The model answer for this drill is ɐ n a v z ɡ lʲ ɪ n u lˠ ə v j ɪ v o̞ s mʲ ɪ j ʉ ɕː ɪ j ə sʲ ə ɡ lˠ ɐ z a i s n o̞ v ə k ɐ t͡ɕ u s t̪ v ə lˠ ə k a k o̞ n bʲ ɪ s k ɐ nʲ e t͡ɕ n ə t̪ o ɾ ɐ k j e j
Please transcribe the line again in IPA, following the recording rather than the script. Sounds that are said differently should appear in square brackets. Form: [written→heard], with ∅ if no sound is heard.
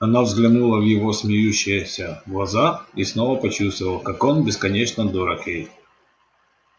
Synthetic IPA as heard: ɐ n a v z ɡ lʲ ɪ n u lˠ ə v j ɪ v o̞ s mʲ ɪ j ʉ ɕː ɪ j ə sʲ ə ɡ lˠ ɐ z a i s n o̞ v ə [k→p] ɐ t͡ɕ u s t̪ v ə lˠ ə k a k o̞ n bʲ ɪ s k ɐ nʲ e t͡ɕ n ə [t̪→d̪] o ɾ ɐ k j e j